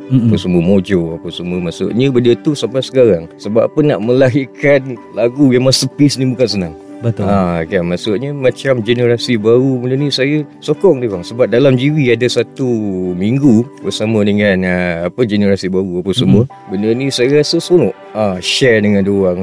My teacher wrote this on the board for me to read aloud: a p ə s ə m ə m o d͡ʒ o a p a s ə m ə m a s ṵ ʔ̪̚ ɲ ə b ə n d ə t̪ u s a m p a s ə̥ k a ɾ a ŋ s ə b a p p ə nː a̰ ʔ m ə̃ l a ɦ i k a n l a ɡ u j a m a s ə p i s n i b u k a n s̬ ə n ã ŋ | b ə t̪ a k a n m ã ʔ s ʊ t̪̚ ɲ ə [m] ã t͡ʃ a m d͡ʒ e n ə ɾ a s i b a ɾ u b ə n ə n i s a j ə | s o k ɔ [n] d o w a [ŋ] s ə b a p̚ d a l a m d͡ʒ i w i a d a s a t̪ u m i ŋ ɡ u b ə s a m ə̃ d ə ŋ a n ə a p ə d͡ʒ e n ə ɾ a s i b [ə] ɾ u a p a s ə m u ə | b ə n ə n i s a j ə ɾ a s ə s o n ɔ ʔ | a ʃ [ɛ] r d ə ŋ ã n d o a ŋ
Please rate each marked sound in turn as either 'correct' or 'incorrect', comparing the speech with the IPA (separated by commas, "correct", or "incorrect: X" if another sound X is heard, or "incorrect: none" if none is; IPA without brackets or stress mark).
correct, incorrect: ŋ, correct, incorrect: a, correct